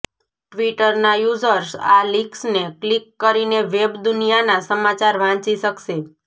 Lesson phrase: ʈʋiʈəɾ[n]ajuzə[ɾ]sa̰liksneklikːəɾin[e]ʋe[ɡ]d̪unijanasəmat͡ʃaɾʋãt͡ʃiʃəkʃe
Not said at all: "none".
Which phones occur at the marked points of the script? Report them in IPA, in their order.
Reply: n, ɾ, e, b

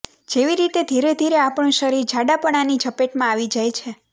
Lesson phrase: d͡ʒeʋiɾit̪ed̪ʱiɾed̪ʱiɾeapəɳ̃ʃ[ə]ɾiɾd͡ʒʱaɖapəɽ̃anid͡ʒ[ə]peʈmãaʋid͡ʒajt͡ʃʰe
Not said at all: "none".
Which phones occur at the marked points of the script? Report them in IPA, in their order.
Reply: ə, ə

